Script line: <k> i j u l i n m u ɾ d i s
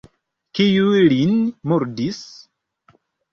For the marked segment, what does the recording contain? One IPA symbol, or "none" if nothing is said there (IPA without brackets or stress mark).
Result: k